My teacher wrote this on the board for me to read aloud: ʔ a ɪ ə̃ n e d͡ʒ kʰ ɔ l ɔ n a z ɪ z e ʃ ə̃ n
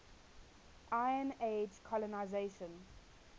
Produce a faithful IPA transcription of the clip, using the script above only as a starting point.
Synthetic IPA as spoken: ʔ a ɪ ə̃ n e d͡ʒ kʰ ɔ l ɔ n a ɪ z e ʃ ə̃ n